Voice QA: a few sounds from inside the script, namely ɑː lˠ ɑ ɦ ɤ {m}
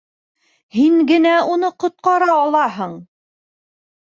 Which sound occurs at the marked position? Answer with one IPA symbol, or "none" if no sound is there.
ɴ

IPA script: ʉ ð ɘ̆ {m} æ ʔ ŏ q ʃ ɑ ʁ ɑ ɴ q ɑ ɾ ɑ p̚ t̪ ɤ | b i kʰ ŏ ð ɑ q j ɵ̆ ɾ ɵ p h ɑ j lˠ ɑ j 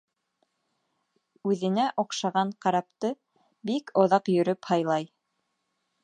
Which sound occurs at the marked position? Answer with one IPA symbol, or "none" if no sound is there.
n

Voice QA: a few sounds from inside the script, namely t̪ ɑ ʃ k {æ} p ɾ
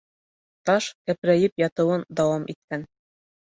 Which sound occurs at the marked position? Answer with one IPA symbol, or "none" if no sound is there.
æ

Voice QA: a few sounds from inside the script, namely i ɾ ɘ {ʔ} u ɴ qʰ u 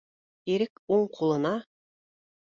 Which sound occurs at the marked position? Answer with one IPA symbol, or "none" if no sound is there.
k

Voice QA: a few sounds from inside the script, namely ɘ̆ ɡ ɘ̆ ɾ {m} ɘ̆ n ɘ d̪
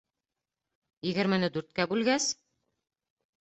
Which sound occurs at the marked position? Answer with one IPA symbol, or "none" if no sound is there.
m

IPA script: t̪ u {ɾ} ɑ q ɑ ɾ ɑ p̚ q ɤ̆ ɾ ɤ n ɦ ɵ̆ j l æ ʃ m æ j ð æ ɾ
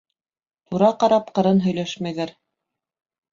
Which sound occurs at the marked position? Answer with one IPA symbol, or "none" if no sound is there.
ɾ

